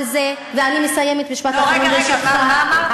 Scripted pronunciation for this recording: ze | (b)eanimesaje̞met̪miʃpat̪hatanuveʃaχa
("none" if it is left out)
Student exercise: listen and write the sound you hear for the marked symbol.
v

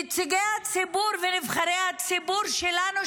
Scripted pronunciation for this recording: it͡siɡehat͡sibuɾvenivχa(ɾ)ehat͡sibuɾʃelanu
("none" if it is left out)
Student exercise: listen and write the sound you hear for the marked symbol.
ɾ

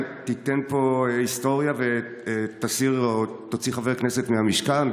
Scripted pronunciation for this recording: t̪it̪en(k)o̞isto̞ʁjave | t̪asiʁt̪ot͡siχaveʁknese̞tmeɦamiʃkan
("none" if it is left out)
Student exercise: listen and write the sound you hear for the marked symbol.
p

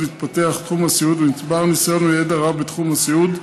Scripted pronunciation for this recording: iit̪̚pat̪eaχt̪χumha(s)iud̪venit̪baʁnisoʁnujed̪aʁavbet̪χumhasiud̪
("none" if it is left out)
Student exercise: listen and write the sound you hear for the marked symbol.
s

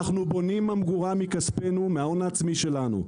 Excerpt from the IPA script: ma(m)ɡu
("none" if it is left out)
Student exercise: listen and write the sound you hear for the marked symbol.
m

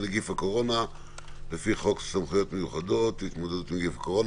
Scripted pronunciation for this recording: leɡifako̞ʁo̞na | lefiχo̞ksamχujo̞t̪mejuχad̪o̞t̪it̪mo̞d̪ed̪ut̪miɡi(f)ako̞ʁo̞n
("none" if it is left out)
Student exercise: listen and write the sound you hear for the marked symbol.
f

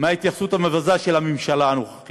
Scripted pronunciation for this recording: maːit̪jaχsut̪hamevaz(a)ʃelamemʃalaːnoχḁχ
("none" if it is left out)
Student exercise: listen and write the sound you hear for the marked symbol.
a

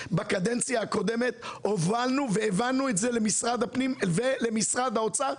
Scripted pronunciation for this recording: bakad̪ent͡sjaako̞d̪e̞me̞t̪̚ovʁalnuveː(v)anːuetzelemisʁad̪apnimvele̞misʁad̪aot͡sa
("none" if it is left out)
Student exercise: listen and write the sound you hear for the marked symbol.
v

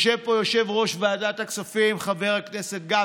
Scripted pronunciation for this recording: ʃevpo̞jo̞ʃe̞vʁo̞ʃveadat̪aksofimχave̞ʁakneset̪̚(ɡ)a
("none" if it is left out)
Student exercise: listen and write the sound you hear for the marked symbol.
ɡ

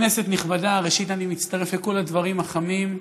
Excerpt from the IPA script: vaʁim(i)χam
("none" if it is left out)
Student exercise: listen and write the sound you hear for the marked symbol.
a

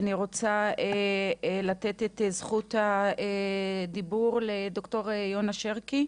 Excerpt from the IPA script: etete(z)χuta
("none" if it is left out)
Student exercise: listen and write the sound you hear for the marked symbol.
z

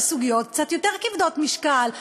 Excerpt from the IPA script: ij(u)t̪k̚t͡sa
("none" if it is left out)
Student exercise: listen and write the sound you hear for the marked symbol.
o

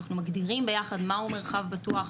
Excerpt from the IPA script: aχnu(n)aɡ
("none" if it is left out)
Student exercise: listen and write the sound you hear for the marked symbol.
m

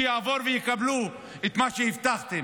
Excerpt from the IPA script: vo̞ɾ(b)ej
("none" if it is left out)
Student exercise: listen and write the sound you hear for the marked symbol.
v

